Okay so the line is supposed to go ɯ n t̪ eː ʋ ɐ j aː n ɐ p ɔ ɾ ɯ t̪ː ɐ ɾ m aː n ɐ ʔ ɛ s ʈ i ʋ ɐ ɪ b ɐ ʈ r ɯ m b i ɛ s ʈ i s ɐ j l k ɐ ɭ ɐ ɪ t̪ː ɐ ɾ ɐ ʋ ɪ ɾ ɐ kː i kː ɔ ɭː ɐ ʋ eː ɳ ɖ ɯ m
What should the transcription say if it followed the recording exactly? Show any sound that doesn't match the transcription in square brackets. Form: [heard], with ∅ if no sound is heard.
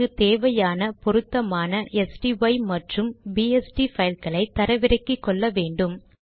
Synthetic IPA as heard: ɯ [∅] t̪ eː ʋ ɐ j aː n ɐ p ɔ ɾ ɯ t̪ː ɐ [∅] m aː n ɐ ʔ ɛ s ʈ i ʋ ɐ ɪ [m] ɐ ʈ r ɯ m b i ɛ s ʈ i [f] ɐ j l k ɐ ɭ ɐ ɪ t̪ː ɐ ɾ ɐ ʋ ɪ ɾ ɐ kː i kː ɔ ɭː ɐ ʋ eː ɳ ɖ ɯ m